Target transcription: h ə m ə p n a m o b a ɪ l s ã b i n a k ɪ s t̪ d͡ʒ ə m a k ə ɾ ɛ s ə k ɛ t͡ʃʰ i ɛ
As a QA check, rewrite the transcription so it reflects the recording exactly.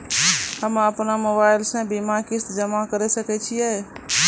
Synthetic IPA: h ə m ə p n a m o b a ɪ l s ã b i m a k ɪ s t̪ d͡ʒ ə m a k ə ɾ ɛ s ə k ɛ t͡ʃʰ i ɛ